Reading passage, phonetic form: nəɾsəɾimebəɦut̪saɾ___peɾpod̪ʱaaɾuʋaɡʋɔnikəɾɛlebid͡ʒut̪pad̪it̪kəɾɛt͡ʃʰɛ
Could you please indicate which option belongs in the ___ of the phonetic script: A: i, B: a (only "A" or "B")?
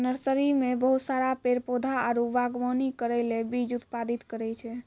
B